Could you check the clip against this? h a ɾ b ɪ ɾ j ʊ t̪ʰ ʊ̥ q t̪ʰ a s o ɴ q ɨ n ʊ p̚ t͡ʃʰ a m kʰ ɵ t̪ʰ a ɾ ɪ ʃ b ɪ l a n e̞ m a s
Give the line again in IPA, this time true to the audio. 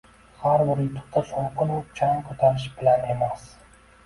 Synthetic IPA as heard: h a ɾ b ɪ ɾ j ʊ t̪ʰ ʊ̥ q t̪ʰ a s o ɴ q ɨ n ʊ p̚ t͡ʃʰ a ŋ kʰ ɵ t̪ʰ a ɾ ɪ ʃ b ɪ l a n e̞ m a s